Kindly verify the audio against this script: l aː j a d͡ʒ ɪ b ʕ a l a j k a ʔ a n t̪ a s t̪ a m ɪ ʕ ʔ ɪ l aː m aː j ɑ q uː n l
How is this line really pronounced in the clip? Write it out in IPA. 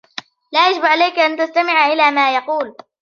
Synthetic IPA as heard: l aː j a d͡ʒ ɪ b ʕ a l a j k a ʔ a n t̪ a s t̪ a m ɪ ʕ ʔ ɪ l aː m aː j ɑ q uː l